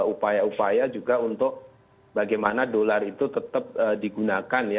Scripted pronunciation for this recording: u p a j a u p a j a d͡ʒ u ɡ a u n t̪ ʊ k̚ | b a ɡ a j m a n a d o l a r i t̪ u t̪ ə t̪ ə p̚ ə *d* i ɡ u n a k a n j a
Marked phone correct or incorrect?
correct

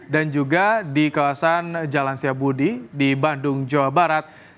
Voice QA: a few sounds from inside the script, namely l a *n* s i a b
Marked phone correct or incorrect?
correct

